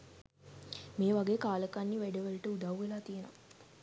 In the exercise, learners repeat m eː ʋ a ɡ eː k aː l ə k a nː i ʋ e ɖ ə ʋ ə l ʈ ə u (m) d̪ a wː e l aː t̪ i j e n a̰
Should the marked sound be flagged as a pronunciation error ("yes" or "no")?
yes